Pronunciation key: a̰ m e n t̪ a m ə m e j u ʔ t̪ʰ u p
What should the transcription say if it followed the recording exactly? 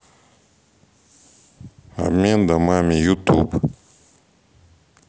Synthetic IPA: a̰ m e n d̪ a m a m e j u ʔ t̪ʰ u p

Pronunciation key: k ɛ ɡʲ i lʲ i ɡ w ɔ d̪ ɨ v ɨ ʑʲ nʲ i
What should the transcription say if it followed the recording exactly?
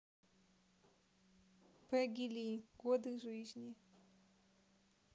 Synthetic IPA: p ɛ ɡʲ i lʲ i ɡ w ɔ d̪ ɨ ʐ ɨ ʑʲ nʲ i

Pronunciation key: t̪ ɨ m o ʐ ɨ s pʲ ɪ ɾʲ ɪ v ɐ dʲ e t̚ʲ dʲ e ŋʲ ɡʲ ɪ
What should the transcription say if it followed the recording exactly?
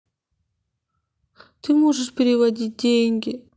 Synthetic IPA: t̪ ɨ m o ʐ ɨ ʂ pʲ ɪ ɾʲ ɪ v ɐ dʲ i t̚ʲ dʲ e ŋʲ ɡʲ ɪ

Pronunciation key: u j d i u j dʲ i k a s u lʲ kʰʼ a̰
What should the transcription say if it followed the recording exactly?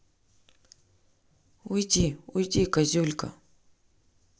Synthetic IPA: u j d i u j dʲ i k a z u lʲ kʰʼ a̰

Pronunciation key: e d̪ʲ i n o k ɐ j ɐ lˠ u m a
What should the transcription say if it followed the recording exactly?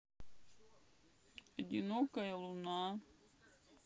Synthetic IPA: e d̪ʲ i n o k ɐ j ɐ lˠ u n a

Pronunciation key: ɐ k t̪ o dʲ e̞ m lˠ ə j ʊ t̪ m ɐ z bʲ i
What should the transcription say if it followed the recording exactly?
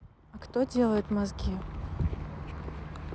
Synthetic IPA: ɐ k t̪ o dʲ e̞ lˠ ə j ʊ t̪ m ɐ z ɡʲ i

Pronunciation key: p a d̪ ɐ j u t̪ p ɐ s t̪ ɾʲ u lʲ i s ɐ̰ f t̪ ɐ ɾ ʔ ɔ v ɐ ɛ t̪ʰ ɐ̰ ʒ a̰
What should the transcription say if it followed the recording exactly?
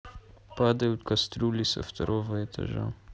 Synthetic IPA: p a d̪ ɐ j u t̪ k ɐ s t̪ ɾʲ u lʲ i s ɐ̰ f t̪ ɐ ɾ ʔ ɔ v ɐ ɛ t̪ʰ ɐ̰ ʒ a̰

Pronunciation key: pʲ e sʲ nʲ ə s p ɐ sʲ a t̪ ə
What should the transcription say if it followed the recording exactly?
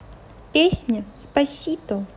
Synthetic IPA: pʲ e sʲ nʲ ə s p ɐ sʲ i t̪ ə

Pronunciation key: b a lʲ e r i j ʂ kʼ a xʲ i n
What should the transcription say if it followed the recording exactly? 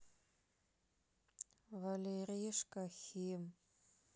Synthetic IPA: v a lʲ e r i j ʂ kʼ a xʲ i m

